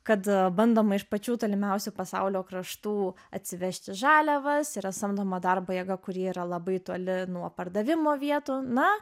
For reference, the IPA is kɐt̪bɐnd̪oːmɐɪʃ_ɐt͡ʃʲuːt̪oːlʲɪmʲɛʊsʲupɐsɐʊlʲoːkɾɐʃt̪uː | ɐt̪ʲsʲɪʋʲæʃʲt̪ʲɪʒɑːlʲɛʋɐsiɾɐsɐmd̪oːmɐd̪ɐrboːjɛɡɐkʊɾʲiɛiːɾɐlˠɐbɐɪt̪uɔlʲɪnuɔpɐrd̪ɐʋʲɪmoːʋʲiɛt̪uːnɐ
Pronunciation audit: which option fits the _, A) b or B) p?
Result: B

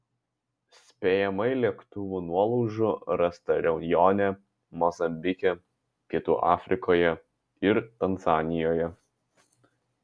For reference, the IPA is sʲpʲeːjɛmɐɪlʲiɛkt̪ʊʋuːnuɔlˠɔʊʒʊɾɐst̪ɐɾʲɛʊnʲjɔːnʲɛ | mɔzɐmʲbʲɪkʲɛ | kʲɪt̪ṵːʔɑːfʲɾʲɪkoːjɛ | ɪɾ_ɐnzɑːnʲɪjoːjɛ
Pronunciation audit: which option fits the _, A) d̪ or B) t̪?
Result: B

